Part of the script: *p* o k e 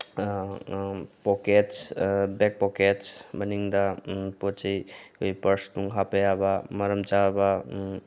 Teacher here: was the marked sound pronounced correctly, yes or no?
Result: yes